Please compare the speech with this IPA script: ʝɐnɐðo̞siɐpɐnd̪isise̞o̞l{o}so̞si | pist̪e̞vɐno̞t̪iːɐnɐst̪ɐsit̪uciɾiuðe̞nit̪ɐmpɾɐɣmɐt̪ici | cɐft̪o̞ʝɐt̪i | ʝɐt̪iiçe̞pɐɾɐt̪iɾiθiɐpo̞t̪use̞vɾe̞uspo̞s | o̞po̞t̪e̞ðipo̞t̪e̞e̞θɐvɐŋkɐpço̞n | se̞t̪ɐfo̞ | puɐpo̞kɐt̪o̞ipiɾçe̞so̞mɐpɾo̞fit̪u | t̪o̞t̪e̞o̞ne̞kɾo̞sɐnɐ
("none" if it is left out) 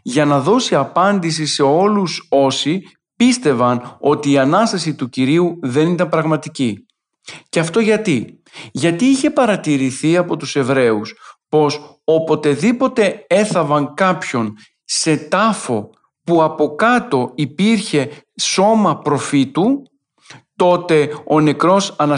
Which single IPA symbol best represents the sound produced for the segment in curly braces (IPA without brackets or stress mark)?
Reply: u